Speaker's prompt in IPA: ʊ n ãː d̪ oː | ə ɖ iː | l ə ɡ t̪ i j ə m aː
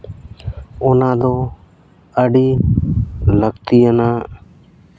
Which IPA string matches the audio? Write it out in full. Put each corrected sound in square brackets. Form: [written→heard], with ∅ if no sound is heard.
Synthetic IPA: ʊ n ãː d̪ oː | ə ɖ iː | l ə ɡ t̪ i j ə [m→n] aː